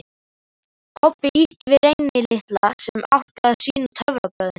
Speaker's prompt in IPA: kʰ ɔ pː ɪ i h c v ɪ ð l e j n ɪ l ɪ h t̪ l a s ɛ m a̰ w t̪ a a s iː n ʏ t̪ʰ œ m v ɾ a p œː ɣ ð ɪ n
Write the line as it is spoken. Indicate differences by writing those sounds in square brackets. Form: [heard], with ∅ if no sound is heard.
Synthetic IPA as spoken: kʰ ɔ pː ɪ i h c v ɪ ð [ɾ] e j n ɪ l ɪ h t̪ l a s ɛ m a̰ w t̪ a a s iː n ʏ t̪ʰ œ [∅] v ɾ a p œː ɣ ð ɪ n